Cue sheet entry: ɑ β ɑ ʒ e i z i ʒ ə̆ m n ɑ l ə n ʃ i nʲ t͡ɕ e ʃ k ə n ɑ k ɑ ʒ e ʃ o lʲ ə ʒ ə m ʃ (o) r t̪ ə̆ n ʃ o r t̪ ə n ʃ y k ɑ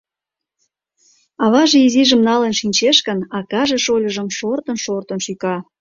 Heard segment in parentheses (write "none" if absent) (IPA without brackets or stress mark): o